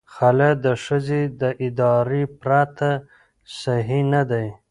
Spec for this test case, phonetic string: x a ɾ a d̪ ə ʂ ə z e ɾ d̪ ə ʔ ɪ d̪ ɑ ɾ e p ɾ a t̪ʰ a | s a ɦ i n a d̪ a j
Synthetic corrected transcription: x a l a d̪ ə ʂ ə z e d̪ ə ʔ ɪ d̪ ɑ ɾ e p ɾ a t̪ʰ a | s a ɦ i n a d̪ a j